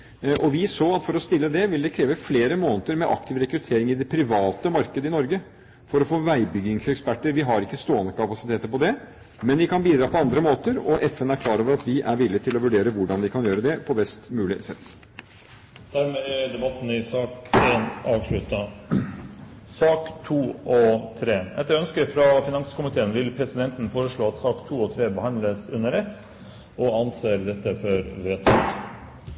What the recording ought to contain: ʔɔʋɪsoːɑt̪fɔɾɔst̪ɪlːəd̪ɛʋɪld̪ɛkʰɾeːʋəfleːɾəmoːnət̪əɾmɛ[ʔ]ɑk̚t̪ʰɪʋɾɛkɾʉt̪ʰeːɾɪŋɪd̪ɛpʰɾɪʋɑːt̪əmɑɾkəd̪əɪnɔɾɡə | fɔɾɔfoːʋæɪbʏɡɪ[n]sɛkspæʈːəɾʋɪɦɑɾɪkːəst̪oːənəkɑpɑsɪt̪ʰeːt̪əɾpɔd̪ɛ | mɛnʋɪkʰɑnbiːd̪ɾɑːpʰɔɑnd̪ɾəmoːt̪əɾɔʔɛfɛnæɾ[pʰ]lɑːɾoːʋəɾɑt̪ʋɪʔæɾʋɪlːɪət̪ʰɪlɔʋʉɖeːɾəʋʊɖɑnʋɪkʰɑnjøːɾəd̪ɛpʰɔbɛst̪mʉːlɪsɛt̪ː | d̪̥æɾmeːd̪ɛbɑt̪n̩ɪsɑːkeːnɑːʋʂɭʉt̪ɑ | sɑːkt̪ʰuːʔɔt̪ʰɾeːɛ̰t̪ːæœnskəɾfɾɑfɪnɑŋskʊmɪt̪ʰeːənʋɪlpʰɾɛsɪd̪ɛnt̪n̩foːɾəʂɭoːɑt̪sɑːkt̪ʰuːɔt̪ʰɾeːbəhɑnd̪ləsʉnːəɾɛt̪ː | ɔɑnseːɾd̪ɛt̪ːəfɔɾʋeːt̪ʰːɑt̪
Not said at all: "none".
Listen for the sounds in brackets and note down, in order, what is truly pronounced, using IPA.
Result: ʔ, ŋ, kʰ

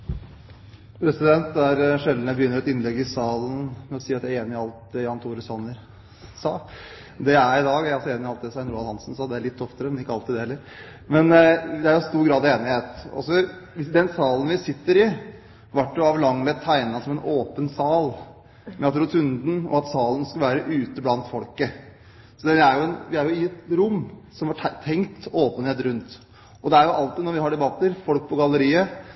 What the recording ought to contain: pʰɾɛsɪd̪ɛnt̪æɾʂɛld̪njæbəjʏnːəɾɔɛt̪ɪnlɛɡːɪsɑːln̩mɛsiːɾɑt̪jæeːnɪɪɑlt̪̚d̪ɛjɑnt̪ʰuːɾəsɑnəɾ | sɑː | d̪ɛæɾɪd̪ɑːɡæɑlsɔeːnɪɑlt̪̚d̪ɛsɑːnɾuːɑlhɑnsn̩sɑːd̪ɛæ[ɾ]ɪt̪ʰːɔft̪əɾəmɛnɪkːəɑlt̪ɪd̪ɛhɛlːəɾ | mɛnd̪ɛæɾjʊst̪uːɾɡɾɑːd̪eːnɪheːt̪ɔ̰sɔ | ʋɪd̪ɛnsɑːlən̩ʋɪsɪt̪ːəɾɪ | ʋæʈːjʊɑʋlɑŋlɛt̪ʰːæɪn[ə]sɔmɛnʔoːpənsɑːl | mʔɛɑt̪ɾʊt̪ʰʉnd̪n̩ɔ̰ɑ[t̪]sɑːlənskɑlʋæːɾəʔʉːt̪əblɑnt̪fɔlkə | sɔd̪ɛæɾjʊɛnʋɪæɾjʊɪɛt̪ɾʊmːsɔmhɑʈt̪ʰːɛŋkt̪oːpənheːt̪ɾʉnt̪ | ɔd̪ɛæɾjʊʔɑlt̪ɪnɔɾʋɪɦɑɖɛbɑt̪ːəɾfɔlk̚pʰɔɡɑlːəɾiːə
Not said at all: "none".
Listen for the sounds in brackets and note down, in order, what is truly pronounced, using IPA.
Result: ɭ, ɑ, t̪

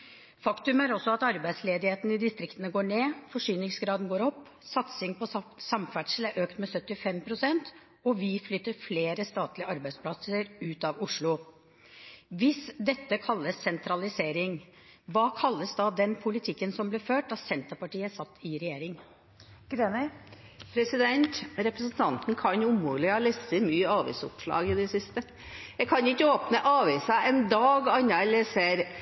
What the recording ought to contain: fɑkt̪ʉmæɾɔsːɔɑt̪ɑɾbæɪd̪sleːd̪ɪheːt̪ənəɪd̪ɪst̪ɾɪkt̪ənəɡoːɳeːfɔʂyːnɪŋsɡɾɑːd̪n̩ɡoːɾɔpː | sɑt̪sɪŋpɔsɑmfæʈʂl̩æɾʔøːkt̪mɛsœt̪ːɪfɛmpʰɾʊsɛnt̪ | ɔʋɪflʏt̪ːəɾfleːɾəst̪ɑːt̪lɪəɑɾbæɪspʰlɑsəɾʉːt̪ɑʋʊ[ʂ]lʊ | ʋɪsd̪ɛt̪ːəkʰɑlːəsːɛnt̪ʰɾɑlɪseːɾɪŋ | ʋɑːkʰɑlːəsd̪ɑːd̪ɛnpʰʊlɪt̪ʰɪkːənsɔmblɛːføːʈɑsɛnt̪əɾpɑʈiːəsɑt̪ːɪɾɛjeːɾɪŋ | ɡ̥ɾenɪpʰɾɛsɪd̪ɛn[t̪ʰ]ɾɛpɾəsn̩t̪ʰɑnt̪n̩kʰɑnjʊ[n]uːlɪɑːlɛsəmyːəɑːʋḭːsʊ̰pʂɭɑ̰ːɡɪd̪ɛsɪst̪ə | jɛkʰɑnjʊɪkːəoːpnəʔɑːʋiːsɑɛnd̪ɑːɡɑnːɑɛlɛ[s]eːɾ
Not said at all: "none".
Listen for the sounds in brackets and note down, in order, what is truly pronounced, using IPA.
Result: ʂ, t̪, m, s

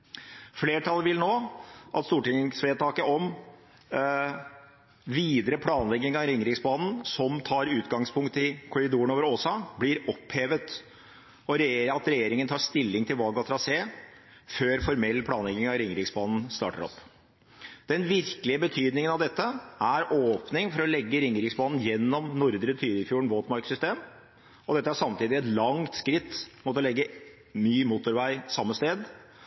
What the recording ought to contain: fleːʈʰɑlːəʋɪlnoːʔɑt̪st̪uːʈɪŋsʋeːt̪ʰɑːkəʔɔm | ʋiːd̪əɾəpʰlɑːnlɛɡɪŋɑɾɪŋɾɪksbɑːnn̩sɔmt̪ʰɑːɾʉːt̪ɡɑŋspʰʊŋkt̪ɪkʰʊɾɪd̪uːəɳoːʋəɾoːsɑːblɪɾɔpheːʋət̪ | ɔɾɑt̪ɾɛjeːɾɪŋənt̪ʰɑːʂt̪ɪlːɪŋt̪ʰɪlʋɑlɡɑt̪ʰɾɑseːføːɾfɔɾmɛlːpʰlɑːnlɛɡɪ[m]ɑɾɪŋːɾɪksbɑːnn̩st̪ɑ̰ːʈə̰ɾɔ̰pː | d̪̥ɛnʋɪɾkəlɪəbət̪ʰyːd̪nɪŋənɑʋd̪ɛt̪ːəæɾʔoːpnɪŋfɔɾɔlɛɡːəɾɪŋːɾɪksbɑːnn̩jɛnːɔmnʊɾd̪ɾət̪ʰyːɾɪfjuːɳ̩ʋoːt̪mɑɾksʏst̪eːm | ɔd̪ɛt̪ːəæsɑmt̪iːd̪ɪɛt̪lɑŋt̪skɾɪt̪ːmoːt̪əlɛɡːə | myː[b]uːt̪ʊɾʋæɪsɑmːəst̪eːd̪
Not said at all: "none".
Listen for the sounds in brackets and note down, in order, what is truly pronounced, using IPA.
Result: ŋ, m

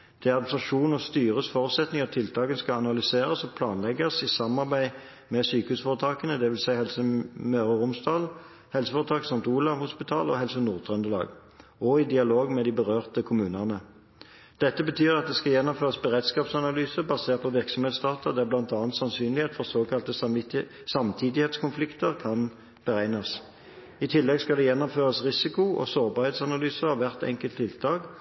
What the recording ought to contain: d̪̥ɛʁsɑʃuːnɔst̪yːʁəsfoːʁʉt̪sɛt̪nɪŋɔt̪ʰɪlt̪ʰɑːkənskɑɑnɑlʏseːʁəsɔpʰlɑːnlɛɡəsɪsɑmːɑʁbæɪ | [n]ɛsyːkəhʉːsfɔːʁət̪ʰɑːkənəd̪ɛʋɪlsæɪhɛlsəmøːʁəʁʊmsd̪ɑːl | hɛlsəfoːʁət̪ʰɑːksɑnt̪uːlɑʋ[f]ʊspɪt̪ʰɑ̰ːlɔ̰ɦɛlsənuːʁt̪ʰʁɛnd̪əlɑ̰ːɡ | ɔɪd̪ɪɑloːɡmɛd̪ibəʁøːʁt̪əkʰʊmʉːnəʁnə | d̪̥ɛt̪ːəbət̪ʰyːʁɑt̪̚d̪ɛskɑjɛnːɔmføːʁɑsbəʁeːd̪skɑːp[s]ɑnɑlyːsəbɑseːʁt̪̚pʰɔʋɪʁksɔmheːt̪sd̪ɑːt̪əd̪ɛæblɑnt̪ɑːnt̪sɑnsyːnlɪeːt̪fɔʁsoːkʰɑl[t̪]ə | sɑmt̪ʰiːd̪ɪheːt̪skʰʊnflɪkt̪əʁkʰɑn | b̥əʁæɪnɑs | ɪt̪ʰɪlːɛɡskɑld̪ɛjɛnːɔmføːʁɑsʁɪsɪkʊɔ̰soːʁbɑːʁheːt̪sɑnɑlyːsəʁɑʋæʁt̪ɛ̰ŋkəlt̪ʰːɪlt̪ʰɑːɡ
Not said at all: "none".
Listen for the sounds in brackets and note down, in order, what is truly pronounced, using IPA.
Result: m, h, s, t̪

